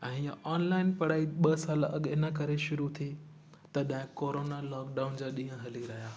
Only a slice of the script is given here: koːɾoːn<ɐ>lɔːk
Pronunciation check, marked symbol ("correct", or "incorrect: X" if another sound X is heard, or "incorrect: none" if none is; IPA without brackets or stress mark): incorrect: a